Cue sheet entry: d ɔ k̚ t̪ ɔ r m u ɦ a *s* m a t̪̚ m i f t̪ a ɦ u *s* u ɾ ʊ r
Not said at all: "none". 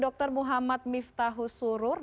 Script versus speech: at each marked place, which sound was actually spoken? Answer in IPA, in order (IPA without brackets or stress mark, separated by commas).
none, s